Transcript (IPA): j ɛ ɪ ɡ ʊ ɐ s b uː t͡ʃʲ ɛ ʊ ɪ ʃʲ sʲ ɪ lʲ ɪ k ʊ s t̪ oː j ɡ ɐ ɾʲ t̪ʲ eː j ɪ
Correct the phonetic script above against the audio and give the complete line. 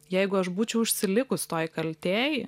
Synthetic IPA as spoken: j ɛ ɪ ɡ ʊ ɐ ʃ b uː t͡ʃʲ ɛ ʊ ɪ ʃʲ sʲ ɪ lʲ ɪ k ʊ s t̪ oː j k ɐ lʲ t̪ʲ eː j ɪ